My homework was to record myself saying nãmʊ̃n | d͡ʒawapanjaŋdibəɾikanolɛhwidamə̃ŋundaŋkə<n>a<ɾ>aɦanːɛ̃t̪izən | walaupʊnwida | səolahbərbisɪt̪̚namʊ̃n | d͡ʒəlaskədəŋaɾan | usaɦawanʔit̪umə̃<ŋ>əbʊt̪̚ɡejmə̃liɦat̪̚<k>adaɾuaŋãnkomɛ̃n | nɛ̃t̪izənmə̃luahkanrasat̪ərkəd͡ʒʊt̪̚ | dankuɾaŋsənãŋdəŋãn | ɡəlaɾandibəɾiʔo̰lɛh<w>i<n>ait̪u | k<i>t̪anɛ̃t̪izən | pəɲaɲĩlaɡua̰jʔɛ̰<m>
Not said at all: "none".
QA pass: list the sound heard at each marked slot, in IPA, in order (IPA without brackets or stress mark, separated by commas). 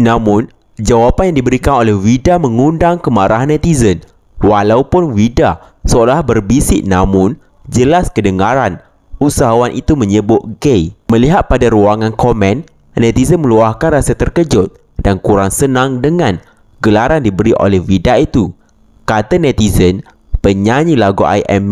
m, ɾ, ɲ, p, w, d, a, m